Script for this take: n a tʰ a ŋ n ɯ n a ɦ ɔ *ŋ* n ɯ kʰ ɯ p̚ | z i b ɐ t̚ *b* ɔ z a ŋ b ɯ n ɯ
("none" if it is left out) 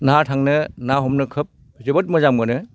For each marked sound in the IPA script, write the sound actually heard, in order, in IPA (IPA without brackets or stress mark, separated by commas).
m, m